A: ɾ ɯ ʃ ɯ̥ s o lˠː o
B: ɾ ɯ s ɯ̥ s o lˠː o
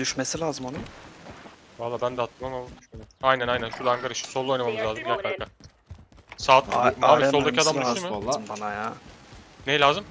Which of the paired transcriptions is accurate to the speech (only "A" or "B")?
A